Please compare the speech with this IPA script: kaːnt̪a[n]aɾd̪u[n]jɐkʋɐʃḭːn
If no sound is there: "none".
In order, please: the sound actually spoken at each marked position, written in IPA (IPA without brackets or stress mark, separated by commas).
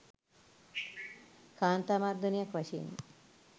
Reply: m, n